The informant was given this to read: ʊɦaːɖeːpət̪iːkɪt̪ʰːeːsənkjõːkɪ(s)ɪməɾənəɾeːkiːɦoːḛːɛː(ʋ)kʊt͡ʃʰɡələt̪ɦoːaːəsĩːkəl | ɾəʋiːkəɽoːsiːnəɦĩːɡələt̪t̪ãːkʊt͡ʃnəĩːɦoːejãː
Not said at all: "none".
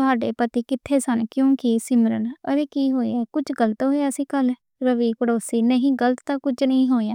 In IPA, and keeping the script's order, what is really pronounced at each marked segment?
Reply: s, none

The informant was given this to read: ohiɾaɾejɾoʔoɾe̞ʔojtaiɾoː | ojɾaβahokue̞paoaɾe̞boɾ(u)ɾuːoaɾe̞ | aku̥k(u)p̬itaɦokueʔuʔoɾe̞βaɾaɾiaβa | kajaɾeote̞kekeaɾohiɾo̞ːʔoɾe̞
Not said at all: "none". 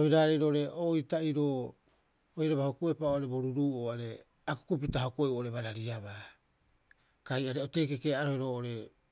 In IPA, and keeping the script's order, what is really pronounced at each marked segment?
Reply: u, u

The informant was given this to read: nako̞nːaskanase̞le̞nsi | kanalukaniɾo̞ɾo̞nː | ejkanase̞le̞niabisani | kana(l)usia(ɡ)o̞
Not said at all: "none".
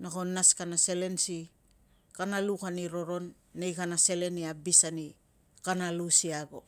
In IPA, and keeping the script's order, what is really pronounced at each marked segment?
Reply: l, ɡ

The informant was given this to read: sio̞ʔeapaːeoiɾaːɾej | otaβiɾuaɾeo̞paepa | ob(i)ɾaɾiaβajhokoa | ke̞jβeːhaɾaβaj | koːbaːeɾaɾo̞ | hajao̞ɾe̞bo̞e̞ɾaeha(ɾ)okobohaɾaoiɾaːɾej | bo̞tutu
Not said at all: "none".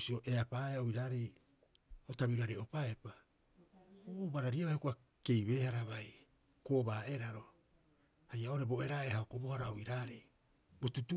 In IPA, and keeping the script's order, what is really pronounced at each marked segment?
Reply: a, none

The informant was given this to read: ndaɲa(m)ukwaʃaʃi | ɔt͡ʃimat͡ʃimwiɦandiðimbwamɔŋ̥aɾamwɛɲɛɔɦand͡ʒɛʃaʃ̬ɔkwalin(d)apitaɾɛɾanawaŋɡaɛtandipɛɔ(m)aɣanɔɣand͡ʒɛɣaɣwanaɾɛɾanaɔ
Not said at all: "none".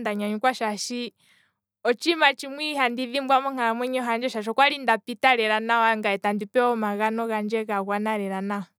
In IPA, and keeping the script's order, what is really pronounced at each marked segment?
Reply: ɲ, d, m

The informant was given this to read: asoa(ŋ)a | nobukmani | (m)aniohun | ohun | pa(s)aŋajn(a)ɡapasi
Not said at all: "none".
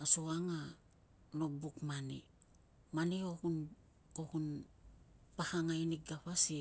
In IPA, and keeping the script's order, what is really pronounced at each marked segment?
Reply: ŋ, m, h, i

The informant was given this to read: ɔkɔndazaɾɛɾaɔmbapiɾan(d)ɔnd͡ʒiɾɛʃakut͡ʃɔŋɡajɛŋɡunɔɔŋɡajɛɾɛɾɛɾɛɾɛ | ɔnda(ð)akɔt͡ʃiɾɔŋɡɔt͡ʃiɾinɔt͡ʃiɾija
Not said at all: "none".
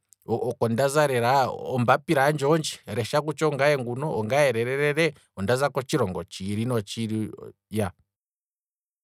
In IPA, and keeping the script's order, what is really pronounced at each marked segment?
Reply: d͡ʒ, z

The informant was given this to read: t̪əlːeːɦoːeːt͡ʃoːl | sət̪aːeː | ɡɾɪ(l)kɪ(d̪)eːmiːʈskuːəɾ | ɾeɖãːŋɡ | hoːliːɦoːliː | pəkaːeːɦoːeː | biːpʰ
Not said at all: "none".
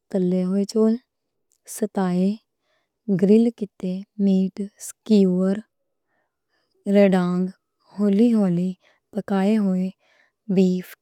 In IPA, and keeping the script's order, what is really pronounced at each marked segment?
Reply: l, t̪

